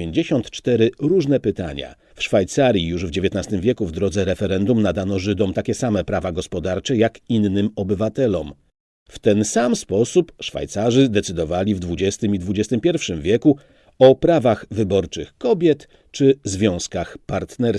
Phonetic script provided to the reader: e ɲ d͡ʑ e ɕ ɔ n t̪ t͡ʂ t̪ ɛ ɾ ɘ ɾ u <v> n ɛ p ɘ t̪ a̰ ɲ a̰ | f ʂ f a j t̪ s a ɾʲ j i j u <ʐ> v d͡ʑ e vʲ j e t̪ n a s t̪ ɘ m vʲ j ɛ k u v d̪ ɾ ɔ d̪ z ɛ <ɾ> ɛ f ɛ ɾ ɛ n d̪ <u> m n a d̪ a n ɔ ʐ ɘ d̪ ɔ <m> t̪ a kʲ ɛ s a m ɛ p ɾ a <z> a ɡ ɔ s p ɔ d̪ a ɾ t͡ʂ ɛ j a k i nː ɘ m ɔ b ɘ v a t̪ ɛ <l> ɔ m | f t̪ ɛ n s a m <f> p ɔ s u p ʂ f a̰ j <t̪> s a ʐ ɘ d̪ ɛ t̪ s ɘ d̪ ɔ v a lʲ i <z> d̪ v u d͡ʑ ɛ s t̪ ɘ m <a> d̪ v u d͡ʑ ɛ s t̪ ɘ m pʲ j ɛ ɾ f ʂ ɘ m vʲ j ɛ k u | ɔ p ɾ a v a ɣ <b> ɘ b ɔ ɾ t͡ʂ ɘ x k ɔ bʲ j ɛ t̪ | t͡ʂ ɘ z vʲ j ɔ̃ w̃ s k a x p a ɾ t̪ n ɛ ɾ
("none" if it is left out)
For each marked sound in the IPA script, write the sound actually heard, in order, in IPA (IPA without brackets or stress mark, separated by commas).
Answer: ʐ, ʐ, ɾ, u, m, v, l, s, t̪, v, i, v